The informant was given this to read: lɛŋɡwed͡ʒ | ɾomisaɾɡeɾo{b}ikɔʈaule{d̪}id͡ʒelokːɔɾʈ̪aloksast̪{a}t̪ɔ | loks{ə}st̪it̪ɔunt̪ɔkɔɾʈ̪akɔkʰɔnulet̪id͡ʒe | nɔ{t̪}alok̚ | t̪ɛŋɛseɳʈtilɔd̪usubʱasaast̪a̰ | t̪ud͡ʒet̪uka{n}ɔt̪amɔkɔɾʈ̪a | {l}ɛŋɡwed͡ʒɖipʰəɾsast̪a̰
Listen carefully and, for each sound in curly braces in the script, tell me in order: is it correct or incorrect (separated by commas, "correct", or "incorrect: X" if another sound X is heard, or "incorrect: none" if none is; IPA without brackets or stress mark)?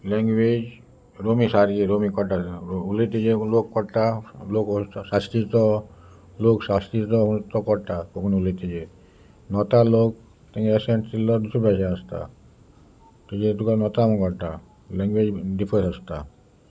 incorrect: m, incorrect: t̪, incorrect: i, incorrect: a, correct, correct, correct